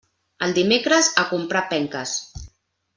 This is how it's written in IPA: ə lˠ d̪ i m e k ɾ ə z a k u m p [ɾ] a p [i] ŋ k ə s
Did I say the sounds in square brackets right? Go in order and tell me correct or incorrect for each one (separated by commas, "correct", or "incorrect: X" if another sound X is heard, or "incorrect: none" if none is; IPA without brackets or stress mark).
correct, incorrect: ɛ